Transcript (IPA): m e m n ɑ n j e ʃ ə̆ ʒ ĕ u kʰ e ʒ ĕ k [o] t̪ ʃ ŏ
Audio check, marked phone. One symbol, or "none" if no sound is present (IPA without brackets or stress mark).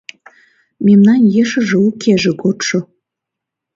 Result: o